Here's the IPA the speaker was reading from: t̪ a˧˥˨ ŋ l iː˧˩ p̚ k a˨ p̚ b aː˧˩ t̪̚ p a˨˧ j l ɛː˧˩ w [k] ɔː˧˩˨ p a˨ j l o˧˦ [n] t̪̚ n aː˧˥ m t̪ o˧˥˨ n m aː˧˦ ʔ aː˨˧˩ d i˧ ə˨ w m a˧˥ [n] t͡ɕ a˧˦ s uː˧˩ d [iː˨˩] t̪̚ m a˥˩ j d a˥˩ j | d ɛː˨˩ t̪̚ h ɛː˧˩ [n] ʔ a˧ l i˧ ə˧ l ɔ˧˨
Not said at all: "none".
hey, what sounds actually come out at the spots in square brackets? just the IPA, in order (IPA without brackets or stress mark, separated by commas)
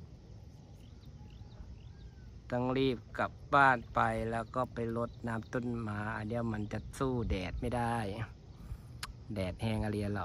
k, none, n, ɛː˨˩, ŋ